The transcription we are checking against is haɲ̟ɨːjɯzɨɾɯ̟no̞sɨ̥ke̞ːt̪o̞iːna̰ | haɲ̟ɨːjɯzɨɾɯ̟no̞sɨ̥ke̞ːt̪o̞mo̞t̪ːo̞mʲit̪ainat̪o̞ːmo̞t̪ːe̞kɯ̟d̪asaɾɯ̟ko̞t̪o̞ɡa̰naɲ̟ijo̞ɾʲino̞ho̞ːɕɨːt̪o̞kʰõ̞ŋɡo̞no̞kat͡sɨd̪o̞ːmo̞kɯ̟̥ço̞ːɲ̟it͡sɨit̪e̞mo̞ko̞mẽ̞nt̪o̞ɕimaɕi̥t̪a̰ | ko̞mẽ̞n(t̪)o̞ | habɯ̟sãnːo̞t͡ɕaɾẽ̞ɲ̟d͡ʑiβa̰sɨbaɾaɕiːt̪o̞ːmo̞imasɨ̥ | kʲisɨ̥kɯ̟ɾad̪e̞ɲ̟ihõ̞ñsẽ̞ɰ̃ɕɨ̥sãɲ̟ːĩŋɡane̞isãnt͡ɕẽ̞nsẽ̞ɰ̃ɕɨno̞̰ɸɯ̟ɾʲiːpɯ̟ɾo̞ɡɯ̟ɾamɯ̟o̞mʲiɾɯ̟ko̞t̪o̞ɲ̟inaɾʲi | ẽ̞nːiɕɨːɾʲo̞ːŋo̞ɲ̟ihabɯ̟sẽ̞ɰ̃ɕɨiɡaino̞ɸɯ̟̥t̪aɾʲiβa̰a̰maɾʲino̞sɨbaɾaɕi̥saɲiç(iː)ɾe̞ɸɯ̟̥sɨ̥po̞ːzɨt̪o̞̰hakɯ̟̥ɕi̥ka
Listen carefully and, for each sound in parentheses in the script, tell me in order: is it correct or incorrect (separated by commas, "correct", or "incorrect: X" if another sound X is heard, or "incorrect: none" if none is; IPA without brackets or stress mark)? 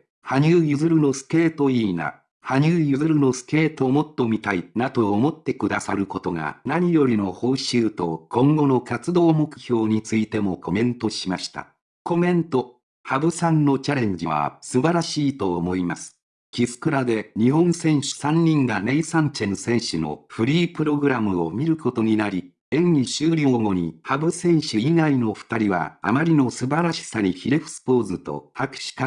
correct, incorrect: i